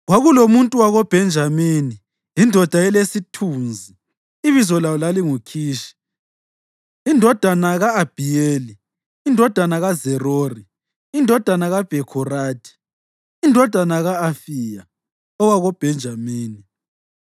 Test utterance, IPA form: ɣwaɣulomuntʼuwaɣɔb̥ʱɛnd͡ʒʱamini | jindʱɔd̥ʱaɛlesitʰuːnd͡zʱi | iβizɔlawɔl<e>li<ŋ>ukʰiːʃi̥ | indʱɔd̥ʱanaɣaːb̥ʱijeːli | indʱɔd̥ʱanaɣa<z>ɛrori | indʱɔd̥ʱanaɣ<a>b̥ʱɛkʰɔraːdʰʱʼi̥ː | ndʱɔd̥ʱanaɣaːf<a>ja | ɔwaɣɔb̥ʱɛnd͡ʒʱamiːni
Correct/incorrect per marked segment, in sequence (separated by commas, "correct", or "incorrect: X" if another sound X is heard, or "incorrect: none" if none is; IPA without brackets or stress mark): incorrect: a, correct, correct, correct, incorrect: i